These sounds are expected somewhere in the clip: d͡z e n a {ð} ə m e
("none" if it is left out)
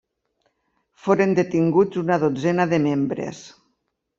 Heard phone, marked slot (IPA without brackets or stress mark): ð